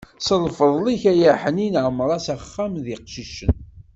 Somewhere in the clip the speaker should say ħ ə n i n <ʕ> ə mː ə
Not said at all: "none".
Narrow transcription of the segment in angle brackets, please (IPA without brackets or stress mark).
ʕ